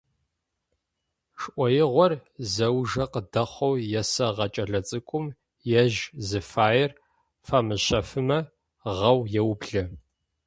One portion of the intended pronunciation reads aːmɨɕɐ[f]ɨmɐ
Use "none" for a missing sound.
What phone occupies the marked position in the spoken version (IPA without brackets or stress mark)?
f